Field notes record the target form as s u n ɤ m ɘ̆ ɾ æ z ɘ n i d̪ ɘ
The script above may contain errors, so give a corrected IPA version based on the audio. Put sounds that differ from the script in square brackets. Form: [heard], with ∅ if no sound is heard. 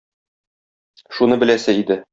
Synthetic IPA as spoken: [ʃ] u n ɤ [b] ɘ̆ [l] æ [s] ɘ [∅] i d̪ ɘ